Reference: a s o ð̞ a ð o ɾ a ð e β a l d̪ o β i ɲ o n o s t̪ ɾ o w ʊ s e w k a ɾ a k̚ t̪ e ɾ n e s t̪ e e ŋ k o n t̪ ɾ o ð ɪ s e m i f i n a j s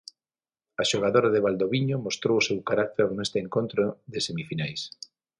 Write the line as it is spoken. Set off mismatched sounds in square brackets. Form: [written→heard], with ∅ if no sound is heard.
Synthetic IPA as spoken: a [s→ʃ] o [ð̞→ɣ̞] a ð o ɾ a ð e β a l d̪ o β i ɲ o [n→m] o s t̪ ɾ o w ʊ s e w k a ɾ a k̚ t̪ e ɾ n e s t̪ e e ŋ k o n t̪ ɾ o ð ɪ s e m i f i n a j s